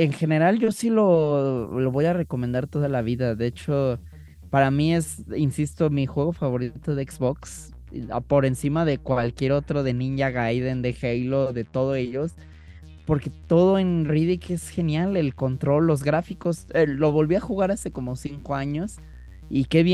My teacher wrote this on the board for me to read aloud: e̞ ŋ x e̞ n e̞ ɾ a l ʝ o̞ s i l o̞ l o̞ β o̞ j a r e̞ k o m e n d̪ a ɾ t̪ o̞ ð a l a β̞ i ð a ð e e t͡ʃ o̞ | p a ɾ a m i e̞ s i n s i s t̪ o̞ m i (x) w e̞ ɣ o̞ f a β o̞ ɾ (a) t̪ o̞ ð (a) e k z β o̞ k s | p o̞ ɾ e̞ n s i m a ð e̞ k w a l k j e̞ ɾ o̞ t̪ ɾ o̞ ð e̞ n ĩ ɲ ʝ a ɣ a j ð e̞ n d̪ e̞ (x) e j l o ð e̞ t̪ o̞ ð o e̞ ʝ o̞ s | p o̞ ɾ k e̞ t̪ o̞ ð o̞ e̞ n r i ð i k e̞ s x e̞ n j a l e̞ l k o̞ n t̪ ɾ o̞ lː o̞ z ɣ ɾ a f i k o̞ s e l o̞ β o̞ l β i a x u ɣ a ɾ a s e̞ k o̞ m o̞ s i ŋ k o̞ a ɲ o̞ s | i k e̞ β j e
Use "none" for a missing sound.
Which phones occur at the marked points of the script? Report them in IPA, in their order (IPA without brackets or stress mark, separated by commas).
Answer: x, i, e, x